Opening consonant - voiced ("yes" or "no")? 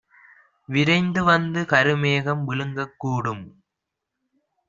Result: yes